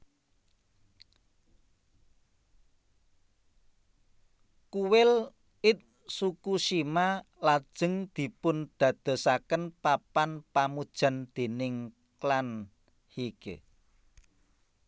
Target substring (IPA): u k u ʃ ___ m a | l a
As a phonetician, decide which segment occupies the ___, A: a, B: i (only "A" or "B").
B